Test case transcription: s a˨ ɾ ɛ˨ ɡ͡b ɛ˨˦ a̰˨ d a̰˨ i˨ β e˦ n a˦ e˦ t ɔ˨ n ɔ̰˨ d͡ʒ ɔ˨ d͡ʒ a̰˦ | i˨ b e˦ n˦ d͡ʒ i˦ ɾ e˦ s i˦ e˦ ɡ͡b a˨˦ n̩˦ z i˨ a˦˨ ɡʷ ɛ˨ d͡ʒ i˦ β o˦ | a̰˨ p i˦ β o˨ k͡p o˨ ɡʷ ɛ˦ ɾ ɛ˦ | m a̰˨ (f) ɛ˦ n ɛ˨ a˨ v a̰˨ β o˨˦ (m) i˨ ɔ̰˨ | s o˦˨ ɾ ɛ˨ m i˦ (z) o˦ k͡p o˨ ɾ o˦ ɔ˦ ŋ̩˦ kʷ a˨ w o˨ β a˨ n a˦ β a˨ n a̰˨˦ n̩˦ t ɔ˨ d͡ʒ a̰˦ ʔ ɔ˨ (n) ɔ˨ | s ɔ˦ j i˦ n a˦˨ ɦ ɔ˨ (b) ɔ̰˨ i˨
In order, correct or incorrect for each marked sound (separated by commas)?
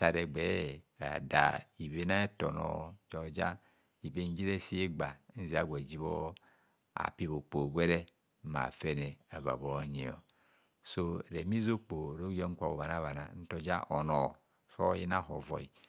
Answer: correct, incorrect, correct, correct, incorrect